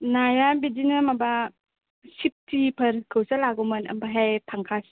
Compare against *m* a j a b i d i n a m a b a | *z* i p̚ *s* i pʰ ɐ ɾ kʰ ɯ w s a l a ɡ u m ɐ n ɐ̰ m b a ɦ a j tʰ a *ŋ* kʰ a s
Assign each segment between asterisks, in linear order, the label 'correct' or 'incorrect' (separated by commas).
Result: incorrect, incorrect, incorrect, correct